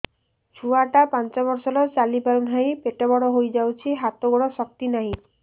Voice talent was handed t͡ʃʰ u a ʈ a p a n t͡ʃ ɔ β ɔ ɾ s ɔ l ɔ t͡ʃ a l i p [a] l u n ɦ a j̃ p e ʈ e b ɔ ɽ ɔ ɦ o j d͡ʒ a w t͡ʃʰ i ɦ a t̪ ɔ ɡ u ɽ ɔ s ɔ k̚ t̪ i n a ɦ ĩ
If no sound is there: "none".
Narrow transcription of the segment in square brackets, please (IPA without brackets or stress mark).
a